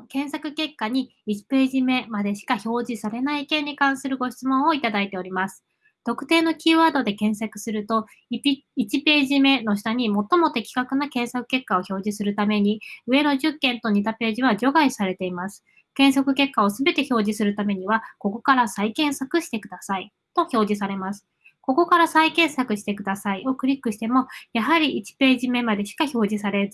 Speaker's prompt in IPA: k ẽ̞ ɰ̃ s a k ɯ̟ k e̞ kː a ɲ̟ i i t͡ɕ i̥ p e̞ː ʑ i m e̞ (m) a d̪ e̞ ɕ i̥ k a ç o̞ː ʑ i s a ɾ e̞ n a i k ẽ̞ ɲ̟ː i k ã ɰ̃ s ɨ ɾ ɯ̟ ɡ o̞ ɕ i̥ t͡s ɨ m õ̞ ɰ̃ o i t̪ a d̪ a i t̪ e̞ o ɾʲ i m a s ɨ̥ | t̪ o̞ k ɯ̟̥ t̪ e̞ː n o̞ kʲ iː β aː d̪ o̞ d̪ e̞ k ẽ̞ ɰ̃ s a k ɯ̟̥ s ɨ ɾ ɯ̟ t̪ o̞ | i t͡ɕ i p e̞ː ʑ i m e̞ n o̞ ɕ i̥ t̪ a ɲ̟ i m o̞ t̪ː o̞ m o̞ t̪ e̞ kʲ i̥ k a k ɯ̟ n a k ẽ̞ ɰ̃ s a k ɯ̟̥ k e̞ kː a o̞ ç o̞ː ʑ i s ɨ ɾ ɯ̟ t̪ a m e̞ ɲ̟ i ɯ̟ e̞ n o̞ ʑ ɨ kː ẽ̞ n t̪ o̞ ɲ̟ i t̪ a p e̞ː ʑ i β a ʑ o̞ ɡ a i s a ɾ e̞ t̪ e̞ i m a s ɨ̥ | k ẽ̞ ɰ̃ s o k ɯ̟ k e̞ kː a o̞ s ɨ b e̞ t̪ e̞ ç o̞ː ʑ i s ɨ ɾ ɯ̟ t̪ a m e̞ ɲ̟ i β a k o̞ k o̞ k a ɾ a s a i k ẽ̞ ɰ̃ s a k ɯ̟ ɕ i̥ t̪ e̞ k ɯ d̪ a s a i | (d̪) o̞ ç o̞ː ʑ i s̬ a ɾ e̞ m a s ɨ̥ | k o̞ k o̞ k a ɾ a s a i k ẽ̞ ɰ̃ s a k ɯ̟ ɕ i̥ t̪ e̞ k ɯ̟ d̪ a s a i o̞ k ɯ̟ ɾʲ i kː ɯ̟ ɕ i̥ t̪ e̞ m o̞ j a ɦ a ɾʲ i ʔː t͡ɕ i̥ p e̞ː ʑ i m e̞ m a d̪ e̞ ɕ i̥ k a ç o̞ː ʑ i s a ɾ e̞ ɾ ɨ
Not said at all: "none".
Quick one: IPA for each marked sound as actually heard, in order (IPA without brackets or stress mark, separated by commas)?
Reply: m, t̪